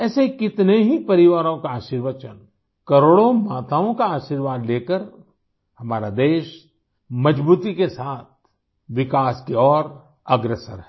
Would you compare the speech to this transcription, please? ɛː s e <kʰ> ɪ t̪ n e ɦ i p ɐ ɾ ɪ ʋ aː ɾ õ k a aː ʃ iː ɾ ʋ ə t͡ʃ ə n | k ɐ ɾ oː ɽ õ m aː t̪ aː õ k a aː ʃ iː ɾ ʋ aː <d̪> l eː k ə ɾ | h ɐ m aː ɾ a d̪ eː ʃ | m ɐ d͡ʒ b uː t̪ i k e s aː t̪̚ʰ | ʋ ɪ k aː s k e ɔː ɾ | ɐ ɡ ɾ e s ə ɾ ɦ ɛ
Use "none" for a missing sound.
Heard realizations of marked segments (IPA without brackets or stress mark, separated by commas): k, d̪